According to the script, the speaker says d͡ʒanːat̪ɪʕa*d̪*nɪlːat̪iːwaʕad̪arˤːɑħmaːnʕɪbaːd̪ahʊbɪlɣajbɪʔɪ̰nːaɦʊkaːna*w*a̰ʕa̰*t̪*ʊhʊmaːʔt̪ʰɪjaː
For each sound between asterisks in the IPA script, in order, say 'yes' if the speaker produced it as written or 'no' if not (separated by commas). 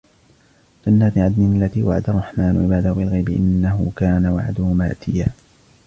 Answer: yes, yes, no